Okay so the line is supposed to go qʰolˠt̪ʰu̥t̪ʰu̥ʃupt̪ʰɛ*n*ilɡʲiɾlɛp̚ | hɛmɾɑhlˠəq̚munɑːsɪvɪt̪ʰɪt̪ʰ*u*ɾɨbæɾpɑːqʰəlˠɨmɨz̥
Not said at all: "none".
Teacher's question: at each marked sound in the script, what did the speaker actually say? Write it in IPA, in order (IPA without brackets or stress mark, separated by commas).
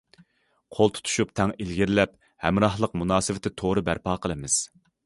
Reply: ŋ, o